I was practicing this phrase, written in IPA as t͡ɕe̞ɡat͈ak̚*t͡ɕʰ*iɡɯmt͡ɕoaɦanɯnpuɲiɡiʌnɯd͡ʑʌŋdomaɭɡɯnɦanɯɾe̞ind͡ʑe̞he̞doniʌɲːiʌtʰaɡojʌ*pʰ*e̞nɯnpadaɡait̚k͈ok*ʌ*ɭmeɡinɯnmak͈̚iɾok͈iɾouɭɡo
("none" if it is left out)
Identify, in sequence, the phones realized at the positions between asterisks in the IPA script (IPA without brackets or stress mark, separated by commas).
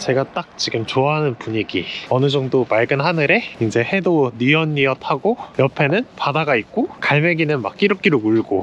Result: t͡ɕ, pʰ, a